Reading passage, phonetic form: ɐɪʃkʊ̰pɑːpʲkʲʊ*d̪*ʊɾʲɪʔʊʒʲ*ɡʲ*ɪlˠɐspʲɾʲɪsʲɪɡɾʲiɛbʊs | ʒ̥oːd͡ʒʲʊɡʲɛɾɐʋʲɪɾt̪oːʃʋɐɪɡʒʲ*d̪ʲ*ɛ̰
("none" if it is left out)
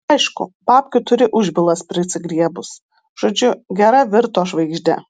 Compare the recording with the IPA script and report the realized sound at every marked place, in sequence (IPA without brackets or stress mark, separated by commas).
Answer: t̪, bʲ, d̪ʲ